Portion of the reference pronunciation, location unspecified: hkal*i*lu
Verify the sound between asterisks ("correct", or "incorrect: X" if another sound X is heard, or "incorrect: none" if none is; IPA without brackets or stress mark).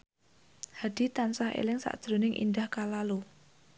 incorrect: a